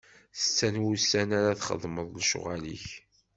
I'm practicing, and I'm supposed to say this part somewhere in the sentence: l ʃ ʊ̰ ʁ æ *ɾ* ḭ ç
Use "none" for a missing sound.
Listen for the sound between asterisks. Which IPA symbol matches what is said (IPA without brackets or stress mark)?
l